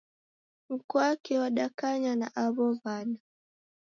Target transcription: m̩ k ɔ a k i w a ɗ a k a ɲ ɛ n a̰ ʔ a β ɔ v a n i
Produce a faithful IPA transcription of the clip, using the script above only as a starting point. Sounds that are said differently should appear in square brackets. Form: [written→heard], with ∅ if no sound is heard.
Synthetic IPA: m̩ k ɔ a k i w a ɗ a k a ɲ [ɛ→a] n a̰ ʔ a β ɔ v a n [i→a]